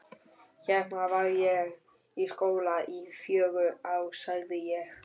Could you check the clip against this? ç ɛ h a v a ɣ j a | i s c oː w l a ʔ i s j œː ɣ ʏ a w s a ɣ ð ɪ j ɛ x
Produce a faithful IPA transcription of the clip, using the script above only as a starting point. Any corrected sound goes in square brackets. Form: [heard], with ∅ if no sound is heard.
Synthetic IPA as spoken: ç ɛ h a v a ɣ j [ɛ] | i s [k] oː w l a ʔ i [f] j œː ɣ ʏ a w s a ɣ ð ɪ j ɛ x